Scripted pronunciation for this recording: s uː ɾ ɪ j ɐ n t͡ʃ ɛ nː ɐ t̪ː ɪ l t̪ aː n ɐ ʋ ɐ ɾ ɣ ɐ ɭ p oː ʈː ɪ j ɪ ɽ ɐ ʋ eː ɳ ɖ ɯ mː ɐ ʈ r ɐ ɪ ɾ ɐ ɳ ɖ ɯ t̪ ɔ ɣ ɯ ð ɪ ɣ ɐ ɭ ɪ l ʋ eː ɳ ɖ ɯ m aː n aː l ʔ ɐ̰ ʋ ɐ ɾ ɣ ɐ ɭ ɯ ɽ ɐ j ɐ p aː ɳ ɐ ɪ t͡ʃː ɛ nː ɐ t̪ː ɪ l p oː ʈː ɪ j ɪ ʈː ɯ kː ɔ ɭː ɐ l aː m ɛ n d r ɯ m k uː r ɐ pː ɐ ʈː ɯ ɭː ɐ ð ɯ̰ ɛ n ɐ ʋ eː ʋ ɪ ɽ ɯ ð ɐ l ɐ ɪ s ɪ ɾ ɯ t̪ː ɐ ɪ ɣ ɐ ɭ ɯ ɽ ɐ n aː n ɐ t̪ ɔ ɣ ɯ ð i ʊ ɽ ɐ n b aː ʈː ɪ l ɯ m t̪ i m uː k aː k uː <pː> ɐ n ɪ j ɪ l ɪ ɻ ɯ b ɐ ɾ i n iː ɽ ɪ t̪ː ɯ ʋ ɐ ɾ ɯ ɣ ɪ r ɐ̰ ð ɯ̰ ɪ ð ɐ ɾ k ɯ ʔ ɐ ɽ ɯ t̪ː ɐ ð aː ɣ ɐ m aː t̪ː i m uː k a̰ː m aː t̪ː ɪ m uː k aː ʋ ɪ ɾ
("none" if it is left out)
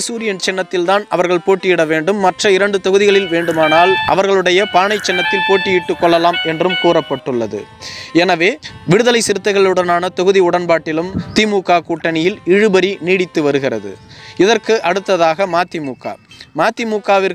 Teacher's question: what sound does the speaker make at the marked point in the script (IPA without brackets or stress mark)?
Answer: ʈː